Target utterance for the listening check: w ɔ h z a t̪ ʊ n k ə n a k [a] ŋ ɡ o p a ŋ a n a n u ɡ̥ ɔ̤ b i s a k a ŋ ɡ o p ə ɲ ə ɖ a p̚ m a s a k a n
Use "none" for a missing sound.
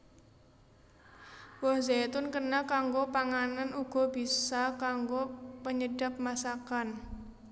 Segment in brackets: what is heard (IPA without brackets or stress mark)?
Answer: a